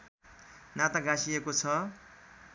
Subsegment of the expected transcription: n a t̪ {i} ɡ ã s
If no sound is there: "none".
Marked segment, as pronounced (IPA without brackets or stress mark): a